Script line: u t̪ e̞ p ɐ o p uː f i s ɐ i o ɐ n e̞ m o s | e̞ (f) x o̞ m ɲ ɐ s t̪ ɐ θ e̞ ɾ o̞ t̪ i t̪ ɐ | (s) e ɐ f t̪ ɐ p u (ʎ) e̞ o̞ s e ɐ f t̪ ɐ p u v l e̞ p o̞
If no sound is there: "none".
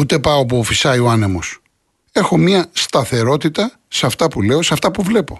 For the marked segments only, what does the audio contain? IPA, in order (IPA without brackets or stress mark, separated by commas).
none, s, l